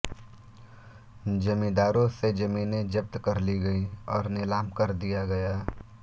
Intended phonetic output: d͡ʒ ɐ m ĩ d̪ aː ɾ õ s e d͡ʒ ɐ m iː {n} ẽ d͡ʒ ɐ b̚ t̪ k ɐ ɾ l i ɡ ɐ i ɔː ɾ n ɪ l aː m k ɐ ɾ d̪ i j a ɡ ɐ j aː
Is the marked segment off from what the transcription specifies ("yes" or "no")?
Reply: no